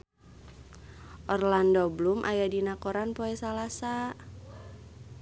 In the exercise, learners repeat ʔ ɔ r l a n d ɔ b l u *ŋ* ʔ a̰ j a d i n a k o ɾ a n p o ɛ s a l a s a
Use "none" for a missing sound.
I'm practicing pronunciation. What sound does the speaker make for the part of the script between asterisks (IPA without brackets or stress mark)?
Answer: m